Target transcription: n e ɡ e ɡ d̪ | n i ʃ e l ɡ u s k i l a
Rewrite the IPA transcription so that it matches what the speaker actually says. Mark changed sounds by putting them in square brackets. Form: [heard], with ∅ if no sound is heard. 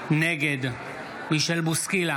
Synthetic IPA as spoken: n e ɡ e [∅] d̪ | [m] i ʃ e l [b] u s k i l a